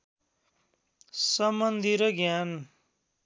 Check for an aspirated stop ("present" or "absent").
absent